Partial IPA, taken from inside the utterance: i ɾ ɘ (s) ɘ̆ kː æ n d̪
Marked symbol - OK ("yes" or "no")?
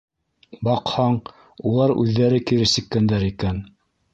yes